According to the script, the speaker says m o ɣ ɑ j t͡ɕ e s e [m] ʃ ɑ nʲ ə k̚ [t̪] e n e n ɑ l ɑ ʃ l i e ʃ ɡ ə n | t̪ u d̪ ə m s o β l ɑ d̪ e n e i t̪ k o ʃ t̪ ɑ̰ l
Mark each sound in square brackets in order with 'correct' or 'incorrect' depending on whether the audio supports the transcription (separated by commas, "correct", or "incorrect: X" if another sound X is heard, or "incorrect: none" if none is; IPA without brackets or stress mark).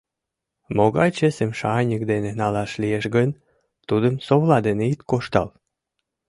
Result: correct, incorrect: d̪